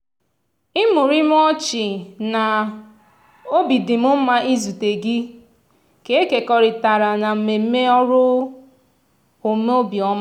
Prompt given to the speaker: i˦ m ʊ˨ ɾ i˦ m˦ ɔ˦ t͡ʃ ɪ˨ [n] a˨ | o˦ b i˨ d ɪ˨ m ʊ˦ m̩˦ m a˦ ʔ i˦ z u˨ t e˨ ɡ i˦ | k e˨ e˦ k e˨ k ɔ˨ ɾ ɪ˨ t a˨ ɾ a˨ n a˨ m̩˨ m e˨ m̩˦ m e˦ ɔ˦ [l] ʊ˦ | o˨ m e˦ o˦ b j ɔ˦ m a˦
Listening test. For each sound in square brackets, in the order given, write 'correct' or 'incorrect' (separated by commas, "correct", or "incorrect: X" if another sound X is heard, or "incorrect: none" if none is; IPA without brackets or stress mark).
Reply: correct, incorrect: ɾ